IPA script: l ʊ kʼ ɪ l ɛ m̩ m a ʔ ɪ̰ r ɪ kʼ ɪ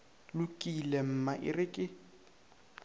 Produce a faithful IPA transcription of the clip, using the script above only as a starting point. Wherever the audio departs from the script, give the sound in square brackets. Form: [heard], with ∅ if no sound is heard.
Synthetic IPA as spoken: l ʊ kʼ [i] l ɛ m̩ m a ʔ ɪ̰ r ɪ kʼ ɪ